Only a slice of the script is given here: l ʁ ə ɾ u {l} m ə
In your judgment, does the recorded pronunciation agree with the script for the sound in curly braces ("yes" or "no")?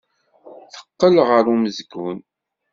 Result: no